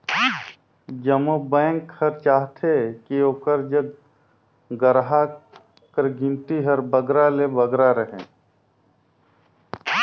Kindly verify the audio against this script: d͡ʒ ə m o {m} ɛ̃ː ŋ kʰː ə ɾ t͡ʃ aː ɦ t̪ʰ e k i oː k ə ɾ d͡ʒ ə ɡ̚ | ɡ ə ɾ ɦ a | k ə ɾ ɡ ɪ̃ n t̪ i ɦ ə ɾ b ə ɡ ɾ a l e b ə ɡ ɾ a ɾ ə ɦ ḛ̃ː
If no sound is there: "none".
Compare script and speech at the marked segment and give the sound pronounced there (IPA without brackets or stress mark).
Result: b